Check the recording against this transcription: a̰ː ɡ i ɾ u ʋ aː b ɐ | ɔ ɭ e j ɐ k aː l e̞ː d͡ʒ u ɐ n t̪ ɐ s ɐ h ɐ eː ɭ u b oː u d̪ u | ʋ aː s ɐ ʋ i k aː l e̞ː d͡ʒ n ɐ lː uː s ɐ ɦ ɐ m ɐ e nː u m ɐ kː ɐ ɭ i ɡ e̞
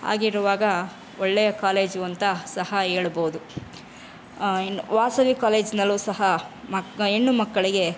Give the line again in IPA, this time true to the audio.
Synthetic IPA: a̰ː ɡ i ɾ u ʋ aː ɡ ɐ | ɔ ɭː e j ɐ k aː l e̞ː d͡ʒ u ɐ n t̪ ɐ s ɐ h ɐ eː ɭ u b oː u d̪ u | ʋ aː s ɐ ʋ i k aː l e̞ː d͡ʒ n ɐ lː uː s ɐ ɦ ɐ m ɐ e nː u m ɐ kː ɐ ɭ i ɡ e̞